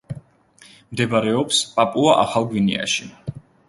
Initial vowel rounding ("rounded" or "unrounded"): unrounded